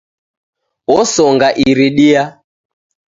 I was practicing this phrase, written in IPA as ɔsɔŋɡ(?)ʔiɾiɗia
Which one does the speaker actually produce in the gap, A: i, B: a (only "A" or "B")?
B